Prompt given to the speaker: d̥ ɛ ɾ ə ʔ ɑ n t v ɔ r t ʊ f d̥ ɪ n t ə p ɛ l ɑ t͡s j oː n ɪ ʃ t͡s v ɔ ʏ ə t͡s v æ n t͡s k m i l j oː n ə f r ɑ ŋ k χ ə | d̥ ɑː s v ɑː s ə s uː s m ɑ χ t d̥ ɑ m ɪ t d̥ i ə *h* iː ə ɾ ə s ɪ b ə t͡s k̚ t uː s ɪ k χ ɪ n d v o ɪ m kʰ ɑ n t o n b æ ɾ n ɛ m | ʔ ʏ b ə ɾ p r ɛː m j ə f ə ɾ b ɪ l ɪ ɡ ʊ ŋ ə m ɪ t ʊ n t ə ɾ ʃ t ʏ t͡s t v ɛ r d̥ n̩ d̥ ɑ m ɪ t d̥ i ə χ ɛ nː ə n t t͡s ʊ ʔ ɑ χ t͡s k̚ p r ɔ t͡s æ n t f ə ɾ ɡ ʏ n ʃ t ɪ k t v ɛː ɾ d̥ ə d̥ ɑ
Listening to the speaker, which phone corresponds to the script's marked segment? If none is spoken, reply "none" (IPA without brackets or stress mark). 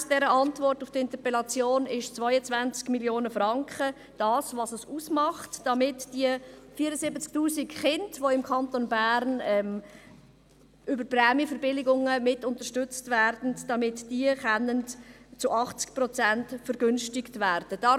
f